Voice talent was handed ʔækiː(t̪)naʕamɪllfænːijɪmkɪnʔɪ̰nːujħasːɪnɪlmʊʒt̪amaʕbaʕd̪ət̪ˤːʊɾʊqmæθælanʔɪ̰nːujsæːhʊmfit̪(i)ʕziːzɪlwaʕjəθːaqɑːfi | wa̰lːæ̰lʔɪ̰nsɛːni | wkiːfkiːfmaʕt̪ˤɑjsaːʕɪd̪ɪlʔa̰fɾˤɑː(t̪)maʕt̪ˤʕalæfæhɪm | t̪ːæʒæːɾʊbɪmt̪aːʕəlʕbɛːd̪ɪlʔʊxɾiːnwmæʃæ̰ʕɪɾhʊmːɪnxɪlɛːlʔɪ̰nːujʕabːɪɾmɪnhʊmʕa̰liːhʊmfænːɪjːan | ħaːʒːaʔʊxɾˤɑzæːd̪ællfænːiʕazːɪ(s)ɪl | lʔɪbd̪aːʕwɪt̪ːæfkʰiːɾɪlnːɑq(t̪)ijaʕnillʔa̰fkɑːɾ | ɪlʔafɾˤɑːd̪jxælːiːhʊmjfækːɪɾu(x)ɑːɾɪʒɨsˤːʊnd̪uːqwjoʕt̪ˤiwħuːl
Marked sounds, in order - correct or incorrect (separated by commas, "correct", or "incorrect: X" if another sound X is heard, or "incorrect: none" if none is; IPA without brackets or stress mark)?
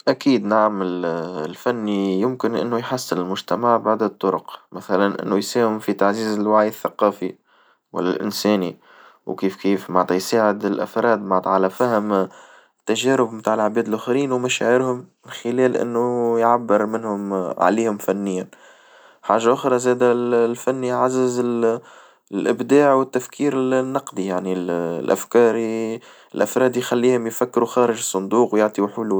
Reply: incorrect: d̪, incorrect: a, incorrect: d̪, incorrect: z, incorrect: d̪, correct